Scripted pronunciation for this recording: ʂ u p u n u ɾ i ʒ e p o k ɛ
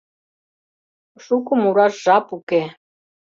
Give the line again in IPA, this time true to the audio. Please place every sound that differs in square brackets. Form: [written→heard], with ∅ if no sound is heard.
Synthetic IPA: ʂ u [p→k] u [n→m] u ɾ [i→a] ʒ [e→a] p [o→u] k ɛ